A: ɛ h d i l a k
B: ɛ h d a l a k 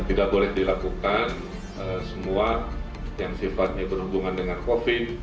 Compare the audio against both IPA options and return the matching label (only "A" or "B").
A